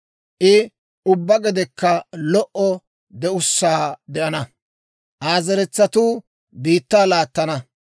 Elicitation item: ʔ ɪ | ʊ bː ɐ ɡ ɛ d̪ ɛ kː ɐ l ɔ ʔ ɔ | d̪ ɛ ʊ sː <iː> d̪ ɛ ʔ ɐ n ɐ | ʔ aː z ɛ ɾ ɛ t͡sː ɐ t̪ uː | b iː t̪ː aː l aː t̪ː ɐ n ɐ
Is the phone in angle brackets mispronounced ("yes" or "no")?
yes